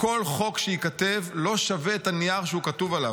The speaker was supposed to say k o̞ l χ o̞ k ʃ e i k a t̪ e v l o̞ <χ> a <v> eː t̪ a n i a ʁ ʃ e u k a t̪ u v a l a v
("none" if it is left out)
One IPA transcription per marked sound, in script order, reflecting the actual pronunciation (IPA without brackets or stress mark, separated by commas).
ʃ, v